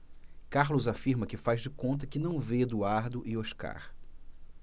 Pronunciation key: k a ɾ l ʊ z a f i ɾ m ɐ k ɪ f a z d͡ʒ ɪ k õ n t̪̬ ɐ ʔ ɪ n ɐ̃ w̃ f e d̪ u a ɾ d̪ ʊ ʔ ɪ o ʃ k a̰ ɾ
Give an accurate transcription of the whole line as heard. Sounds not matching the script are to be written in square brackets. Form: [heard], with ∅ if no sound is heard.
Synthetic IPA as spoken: k a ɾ l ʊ z a f i ɾ m ɐ k ɪ f a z d͡ʒ ɪ k õ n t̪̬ ɐ [k] ɪ n ɐ̃ w̃ [v] e d̪ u a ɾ d̪ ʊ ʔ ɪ o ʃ k a̰ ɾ